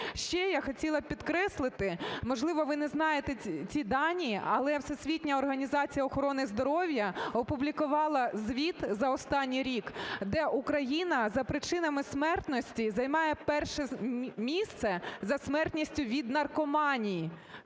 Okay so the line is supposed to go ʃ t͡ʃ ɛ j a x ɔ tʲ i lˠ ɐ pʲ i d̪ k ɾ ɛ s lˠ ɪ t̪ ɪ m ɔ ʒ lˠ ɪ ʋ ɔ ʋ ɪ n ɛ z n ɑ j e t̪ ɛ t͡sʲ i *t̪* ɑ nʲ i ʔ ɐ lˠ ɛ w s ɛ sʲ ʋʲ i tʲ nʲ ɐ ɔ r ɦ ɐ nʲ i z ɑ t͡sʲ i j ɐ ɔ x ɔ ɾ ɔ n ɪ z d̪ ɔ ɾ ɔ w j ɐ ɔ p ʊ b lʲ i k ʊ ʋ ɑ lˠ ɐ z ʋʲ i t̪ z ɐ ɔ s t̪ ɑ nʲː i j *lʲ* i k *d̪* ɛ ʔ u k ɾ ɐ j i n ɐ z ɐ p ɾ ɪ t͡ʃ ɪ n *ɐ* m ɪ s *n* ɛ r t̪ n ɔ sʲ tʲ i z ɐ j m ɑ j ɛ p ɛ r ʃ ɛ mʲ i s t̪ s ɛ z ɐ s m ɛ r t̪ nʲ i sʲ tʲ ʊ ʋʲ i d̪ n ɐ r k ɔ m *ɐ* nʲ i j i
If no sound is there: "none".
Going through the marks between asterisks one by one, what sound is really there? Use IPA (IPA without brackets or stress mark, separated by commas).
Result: d̪, ɾʲ, d̪, ɐ, m, ɑ